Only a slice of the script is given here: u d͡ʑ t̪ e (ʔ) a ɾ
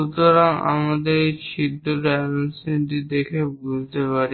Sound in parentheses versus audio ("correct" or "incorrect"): incorrect